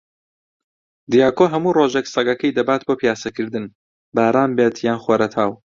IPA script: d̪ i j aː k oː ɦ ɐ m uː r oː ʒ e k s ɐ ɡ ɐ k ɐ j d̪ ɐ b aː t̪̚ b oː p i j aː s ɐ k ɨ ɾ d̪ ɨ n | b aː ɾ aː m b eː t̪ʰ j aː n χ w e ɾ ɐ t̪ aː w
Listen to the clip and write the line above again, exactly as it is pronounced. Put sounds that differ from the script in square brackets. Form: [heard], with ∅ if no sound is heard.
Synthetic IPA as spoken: d̪ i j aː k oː ɦ ɐ m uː r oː ʒ e k s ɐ ɡ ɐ k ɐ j d̪ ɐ b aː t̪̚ b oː p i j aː s ɐ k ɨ ɾ d̪ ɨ n | b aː ɾ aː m b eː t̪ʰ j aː n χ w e ɾ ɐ [t̪ʰ] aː w